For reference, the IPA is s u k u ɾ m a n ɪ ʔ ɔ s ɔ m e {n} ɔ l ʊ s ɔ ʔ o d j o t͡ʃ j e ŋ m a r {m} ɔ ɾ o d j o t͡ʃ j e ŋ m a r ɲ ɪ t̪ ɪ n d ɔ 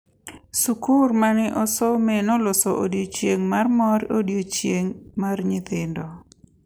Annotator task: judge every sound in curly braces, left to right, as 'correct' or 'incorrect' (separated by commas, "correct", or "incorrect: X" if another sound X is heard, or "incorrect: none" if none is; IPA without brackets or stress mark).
correct, correct